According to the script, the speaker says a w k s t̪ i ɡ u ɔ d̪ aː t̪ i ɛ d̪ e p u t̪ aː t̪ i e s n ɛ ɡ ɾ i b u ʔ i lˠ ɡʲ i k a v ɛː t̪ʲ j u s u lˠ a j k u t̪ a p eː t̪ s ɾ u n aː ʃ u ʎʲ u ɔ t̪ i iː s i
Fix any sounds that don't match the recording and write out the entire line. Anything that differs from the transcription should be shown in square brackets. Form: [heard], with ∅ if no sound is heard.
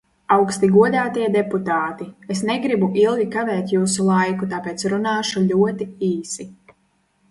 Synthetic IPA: a w k s t̪ i ɡ u ɔ d̪ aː t̪ i ɛ d̪ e p u t̪ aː t̪ i e s n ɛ ɡ ɾ i b u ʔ i lˠ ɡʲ i k a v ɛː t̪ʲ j [uː] s u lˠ a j k u t̪ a p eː t̪ s ɾ u n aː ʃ u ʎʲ u ɔ t̪ i iː s i